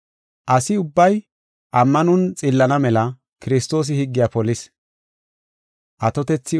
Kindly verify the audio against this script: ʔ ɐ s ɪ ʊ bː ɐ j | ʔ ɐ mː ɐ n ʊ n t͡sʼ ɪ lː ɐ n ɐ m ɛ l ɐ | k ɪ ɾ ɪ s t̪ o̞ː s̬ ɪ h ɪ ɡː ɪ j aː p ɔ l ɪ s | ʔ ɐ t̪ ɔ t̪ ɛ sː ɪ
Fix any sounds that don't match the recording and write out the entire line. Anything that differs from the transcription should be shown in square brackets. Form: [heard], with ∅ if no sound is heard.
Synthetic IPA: ʔ ɐ s ɪ ʊ bː ɐ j | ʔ ɐ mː ɐ n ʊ n t͡sʼ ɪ lː ɐ n ɐ m ɛ l ɐ | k ɪ ɾ ɪ s t̪ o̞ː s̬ ɪ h ɪ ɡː ɪ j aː p ɔ l ɪ s | ʔ ɐ t̪ ɔ t̪ ɛ [t͡sː] ɪ